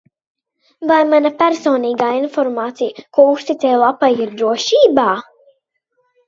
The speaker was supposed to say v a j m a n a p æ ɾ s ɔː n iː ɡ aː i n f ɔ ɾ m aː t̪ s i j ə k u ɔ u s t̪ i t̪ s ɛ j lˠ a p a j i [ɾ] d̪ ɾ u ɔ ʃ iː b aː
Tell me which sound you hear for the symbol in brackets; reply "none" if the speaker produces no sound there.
ɾ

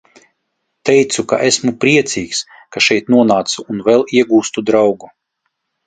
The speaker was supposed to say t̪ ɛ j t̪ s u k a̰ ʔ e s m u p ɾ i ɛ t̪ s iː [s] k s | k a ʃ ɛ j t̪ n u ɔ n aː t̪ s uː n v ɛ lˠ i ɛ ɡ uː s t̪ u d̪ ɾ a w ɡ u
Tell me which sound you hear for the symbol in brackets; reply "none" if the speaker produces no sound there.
none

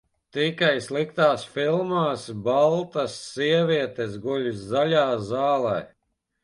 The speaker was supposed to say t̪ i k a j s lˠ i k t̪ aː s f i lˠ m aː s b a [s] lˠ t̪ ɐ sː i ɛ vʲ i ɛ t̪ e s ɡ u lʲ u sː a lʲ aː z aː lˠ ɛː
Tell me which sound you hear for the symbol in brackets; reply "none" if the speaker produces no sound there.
none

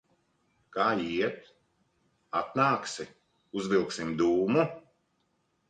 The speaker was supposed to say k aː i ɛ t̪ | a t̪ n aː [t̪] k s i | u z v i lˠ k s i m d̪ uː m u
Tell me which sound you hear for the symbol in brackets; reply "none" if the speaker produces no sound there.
none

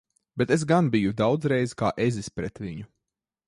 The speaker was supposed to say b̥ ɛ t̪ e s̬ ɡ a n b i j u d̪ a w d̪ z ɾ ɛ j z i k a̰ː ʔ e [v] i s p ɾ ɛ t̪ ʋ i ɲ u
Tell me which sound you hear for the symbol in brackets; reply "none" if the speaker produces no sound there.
z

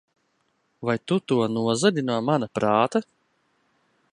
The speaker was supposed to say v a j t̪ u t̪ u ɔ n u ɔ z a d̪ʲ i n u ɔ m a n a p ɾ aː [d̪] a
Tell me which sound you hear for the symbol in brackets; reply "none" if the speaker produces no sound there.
t̪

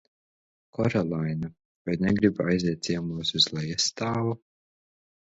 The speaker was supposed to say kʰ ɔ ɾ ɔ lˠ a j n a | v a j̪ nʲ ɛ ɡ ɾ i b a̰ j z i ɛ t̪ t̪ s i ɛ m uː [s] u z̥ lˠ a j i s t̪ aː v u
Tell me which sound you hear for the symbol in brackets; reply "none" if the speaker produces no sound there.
s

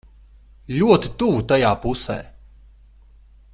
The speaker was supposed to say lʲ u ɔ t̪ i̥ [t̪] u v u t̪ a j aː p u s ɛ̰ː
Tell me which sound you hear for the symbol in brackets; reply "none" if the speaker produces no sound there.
t̪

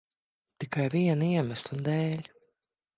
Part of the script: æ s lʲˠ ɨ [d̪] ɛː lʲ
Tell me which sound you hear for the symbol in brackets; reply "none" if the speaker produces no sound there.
d̪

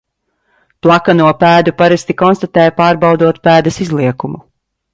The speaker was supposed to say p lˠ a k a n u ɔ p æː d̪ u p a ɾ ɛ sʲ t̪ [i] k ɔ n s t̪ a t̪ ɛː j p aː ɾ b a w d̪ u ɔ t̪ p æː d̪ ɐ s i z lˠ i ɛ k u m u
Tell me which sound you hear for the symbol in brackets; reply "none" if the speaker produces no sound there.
i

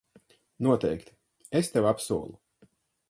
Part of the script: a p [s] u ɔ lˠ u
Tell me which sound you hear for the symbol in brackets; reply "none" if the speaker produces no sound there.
s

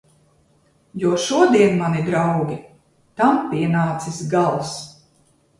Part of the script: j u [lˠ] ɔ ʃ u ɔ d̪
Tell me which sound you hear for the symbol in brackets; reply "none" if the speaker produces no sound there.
none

